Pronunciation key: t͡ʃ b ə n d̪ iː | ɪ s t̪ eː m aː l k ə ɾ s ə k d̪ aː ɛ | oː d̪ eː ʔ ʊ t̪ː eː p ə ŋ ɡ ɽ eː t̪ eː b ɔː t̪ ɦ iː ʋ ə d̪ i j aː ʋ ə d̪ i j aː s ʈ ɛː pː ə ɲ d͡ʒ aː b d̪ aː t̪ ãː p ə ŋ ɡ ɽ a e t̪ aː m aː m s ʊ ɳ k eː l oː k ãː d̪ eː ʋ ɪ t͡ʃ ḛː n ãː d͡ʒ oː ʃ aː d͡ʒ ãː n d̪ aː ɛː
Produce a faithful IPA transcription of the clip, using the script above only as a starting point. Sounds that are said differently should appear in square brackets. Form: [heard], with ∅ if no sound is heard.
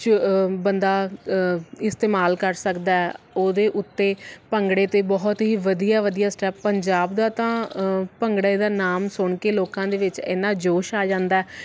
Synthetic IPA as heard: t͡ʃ b ə n d̪ [aː] | ɪ s t̪ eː m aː l k ə ɾ s ə k d̪ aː ɛ | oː d̪ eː ʔ ʊ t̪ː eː p ə ŋ ɡ ɽ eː t̪ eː b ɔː t̪ ɦ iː ʋ ə d̪ i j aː ʋ ə d̪ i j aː s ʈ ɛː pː ə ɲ d͡ʒ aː b d̪ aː t̪ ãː p ə ŋ ɡ ɽ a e [d̪] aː [n] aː m s ʊ ɳ k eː l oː k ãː d̪ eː ʋ ɪ t͡ʃ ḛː n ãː d͡ʒ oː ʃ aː d͡ʒ ãː n d̪ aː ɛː